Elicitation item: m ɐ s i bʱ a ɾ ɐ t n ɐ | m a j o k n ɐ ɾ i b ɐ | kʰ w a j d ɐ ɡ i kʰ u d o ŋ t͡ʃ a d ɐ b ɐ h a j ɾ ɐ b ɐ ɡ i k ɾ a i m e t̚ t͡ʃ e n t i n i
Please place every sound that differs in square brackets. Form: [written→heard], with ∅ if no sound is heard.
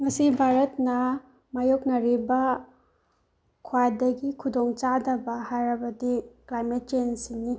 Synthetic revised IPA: [m→ŋ] ɐ s i bʱ a ɾ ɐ t n ɐ | m a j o k n ɐ ɾ i b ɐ | kʰ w a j d ɐ ɡ i kʰ u d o ŋ t͡ʃ a d ɐ b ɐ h a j ɾ ɐ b ɐ [ɡ→d] i k [ɾ→l] a [i→j] m e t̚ t͡ʃ e n [t→s] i n i